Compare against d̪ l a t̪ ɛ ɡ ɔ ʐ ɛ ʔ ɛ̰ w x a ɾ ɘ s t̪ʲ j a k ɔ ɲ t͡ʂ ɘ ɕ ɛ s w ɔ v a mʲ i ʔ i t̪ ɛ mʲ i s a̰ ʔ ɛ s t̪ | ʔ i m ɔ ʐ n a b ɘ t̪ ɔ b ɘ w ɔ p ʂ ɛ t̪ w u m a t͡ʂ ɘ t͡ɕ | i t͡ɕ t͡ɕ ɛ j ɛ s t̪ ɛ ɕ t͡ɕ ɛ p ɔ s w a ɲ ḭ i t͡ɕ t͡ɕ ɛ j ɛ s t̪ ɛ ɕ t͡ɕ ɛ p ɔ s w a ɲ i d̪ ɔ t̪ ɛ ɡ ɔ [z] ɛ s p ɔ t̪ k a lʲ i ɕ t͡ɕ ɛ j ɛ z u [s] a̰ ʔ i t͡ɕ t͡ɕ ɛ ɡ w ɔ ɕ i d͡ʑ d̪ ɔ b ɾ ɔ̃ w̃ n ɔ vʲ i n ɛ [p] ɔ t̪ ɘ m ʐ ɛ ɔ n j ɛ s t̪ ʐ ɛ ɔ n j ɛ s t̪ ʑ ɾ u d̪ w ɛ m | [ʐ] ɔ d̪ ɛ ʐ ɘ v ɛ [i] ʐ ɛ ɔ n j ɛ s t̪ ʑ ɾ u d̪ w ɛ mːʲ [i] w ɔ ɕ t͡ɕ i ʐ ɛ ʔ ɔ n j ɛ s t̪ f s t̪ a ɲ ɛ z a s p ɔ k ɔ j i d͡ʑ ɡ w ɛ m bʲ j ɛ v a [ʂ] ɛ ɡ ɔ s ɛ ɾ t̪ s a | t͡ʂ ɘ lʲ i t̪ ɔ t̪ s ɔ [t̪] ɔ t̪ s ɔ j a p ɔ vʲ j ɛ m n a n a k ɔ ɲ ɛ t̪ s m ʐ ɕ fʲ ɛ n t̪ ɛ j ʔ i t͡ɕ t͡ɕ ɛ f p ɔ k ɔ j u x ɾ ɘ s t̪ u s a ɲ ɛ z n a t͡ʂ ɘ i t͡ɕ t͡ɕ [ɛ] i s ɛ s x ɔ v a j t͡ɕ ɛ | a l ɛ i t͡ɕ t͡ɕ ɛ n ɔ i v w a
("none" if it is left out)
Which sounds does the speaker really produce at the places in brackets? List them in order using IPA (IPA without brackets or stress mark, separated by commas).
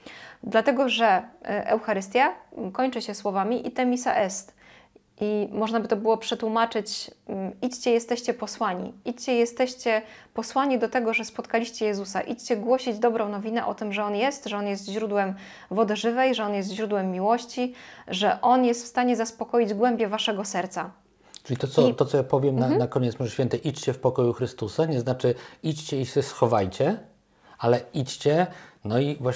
ʐ, s, ʔ, v, j, i, ʂ, t̪, ɛ